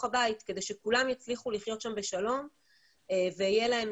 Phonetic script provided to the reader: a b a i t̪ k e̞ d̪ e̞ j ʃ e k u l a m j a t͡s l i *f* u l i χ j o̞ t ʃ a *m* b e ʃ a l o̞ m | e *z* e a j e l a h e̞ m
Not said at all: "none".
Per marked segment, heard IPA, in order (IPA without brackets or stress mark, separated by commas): χ, m, v